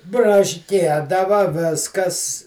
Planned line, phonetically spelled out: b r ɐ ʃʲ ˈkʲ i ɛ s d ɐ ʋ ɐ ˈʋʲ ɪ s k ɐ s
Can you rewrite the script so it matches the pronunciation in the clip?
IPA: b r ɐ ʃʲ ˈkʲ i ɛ d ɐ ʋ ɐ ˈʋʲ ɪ s k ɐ s